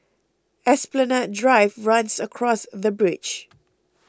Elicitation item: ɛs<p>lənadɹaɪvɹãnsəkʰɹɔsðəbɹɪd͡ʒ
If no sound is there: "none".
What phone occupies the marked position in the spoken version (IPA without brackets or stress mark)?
p